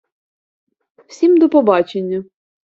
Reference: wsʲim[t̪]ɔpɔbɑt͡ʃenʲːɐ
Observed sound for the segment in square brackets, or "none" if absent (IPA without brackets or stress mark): d̪